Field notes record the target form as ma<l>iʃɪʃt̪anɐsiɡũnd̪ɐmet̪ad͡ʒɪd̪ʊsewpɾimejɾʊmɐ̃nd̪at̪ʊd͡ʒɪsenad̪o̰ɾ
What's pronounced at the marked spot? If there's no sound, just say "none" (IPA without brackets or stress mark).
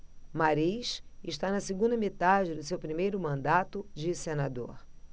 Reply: ɾ